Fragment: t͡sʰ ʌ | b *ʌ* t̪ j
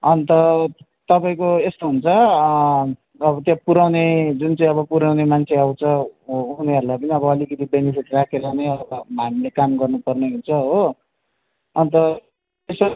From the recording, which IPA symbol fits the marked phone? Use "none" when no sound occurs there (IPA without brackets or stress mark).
ʌ